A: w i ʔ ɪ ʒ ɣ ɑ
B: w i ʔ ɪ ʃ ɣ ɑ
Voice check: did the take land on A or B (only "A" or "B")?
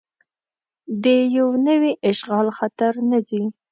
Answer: B